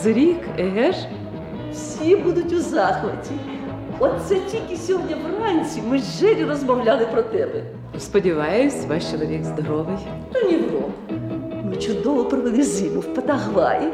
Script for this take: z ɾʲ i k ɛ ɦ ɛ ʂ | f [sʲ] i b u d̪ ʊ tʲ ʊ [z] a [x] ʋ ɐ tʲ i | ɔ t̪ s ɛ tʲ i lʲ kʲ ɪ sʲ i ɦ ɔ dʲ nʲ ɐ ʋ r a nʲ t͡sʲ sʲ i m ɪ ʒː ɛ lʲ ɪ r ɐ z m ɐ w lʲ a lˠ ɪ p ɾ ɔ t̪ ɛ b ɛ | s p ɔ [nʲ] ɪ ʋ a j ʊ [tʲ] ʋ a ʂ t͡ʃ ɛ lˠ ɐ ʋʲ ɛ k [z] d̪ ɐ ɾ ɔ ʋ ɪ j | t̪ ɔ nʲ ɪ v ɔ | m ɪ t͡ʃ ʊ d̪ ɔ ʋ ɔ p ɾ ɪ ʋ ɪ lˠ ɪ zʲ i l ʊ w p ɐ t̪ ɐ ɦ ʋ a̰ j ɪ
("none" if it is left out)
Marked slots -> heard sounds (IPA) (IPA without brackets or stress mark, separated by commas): sʲ, z, x, dʲ, sʲ, z